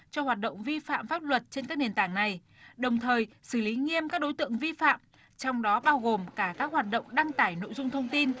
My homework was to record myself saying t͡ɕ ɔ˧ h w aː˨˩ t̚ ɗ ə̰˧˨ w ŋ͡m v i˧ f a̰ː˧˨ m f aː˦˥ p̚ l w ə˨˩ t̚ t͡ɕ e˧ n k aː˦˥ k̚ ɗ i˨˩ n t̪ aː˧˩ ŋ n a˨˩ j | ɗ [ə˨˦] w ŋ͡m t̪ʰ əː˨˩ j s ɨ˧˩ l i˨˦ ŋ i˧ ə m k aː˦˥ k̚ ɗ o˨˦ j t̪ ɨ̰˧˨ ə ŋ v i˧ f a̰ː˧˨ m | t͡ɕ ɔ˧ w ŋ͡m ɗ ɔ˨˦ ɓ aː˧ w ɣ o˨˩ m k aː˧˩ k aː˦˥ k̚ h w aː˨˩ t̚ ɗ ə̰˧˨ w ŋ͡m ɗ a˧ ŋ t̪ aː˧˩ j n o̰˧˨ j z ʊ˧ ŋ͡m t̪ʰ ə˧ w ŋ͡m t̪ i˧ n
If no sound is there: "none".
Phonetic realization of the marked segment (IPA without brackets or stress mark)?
ə˨˩